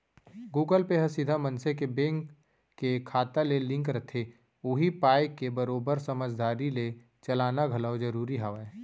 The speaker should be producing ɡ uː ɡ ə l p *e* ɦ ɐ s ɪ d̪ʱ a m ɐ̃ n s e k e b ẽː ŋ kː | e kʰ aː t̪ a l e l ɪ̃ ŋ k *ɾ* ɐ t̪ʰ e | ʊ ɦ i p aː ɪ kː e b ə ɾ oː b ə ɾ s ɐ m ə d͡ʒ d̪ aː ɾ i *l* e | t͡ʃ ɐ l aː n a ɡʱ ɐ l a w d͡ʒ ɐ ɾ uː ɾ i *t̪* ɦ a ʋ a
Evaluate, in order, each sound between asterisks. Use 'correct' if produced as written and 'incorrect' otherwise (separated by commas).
correct, correct, correct, incorrect